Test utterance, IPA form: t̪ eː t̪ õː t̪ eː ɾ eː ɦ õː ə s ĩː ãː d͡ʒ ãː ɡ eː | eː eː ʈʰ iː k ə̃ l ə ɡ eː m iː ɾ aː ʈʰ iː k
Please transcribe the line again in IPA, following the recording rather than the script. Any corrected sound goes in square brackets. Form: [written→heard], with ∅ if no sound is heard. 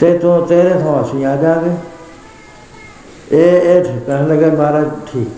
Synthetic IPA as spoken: t̪ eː t̪ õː t̪ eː ɾ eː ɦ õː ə s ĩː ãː d͡ʒ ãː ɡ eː | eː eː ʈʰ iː k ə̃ l ə ɡ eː m [iː→aː] ɾ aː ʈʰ iː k